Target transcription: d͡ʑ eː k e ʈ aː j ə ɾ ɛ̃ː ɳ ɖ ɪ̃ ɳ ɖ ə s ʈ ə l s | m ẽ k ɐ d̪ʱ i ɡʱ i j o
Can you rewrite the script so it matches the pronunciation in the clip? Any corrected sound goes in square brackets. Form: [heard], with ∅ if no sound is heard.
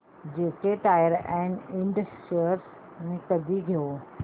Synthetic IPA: d͡ʑ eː k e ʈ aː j ə ɾ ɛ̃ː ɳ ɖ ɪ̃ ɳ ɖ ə s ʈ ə [ɾ] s | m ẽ k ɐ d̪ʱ i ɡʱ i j o